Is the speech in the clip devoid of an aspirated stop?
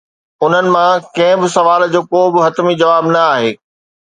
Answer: yes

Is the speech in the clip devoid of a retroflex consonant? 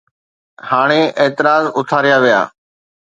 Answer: no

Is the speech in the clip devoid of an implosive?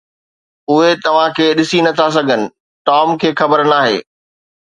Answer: no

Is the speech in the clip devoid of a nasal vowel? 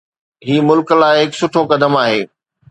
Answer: yes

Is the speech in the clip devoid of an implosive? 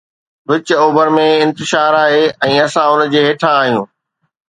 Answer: yes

